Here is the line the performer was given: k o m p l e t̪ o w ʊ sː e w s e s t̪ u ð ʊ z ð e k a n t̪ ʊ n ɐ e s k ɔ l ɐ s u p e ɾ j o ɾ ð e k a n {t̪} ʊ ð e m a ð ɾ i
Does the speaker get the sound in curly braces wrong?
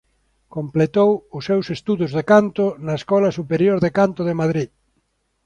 no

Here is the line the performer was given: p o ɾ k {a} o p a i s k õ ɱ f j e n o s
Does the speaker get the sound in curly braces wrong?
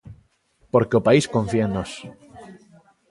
yes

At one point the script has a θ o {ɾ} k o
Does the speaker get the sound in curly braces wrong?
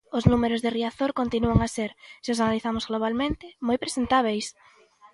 no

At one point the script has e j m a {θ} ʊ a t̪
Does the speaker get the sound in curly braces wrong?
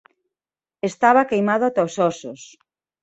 yes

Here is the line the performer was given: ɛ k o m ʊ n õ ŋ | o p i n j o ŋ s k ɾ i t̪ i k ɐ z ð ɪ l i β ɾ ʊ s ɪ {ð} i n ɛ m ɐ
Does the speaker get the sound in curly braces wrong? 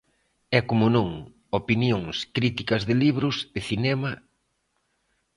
yes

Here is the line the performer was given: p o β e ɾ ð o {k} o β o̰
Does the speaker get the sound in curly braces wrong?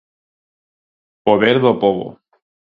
yes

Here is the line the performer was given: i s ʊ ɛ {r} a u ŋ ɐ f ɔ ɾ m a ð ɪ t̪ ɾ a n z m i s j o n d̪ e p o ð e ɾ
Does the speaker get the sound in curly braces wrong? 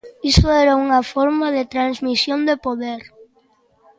yes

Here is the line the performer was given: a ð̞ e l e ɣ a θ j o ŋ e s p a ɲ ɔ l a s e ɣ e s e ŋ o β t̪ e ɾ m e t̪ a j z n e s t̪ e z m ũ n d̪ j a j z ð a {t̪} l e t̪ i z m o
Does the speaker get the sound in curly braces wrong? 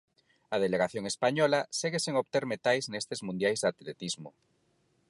no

